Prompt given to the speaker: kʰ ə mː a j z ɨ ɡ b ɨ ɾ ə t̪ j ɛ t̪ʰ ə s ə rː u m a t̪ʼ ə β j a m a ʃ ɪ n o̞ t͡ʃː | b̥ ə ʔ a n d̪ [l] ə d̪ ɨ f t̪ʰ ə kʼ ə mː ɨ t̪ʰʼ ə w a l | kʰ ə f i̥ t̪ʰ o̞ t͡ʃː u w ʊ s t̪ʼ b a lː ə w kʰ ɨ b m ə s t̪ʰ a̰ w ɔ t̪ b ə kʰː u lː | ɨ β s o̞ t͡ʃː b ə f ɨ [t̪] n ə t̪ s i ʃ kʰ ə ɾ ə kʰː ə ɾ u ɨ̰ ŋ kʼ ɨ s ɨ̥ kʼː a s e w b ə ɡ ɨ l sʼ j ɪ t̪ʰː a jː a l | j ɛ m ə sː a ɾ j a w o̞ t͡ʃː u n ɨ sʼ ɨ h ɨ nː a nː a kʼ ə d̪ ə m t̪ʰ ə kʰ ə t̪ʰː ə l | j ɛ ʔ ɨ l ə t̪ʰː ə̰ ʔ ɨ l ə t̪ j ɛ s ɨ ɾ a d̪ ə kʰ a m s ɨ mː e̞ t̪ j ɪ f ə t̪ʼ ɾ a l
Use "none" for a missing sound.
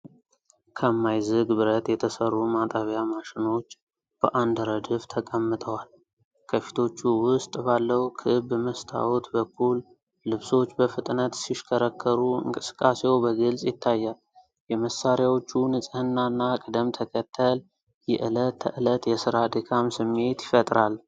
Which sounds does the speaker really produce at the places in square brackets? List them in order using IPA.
ɾ, t̪ʼ

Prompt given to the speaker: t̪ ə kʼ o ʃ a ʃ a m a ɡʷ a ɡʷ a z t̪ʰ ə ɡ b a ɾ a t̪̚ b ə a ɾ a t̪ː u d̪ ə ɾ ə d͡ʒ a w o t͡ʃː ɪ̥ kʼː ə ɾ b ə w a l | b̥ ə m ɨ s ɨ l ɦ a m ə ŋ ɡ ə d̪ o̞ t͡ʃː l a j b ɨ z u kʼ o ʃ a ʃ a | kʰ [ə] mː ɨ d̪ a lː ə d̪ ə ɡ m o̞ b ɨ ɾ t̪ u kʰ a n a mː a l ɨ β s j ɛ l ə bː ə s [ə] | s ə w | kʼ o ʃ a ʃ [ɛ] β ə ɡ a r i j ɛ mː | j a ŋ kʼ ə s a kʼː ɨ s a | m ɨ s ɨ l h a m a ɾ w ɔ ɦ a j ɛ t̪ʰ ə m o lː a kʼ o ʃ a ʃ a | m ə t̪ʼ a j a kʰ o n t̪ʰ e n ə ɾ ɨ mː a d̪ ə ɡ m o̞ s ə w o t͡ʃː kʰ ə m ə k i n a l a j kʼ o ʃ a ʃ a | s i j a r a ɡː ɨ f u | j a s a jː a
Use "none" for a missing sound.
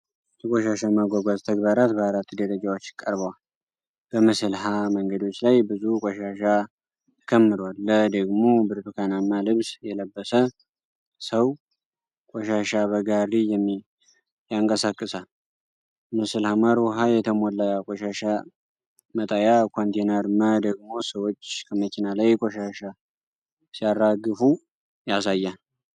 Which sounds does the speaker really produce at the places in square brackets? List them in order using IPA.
ə, ə, a

